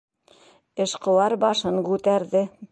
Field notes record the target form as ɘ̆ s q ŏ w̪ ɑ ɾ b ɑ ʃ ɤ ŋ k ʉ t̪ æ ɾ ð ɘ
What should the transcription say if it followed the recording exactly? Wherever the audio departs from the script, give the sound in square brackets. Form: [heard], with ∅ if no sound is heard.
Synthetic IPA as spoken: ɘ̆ [ʃ] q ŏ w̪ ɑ ɾ b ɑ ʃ ɤ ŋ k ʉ t̪ æ ɾ ð ɘ